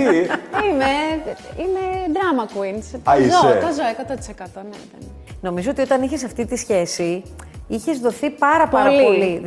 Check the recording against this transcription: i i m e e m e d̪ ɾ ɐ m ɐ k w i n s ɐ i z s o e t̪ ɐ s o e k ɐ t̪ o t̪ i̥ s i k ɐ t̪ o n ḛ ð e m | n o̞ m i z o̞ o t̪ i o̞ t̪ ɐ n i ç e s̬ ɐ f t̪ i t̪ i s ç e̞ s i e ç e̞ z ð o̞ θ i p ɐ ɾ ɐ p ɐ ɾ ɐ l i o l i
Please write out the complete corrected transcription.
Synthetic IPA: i i m e i m e d̪ ɾ ɐ m ɐ k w i n s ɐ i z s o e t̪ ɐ z o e k ɐ t̪ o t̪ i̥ s e k ɐ t̪ o n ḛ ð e n | n o̞ m i z o̞ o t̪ i o̞ t̪ ɐ n i ç e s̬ ɐ f t̪ i t̪ i s ç e̞ s i i ç e̞ z ð o̞ θ i p ɐ ɾ ɐ p ɐ ɾ ɐ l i o l i